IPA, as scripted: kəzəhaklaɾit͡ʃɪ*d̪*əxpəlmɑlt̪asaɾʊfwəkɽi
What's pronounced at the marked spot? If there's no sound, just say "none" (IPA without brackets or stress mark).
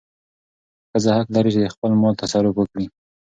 d̪